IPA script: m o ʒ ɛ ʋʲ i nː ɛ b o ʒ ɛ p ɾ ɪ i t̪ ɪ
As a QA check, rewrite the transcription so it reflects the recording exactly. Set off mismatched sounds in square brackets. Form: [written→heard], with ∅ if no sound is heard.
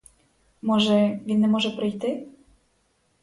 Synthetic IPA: m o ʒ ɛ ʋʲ i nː ɛ [b→m] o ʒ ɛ p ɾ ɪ [i→j] t̪ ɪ